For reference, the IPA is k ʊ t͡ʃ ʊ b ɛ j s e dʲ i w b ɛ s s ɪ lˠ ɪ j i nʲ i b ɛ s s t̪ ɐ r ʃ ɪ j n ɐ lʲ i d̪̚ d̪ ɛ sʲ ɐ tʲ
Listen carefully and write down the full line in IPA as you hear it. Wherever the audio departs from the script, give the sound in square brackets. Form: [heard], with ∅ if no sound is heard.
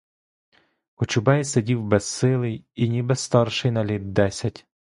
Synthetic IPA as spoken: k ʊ t͡ʃ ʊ b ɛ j s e dʲ i w b ɛ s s ɪ lˠ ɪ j i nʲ i b ɛ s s t̪ [ɑ] r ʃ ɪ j n ɐ lʲ i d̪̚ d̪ ɛ sʲ ɐ tʲ